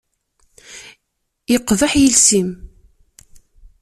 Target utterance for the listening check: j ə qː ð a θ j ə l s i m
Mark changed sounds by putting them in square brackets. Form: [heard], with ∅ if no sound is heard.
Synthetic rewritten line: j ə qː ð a [ħ] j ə l s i m